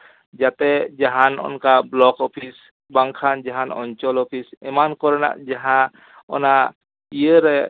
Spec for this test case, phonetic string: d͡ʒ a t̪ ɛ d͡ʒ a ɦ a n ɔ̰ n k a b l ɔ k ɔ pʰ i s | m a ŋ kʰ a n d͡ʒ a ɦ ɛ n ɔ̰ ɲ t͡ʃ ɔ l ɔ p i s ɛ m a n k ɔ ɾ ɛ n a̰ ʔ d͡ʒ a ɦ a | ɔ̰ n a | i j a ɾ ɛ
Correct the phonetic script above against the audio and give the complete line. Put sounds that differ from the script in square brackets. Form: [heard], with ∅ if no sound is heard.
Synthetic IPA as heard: d͡ʒ a t̪ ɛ d͡ʒ a ɦ a n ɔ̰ n k a b l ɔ k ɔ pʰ i s | [b] a ŋ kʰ a n d͡ʒ a ɦ [a] n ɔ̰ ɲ t͡ʃ ɔ l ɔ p i s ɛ m a n k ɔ ɾ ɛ n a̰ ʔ d͡ʒ a ɦ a | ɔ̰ n a | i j [ə] ɾ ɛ